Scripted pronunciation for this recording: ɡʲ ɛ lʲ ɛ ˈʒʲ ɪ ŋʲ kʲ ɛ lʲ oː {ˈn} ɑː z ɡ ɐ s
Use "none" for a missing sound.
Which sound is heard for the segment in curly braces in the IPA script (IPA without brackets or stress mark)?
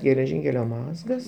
m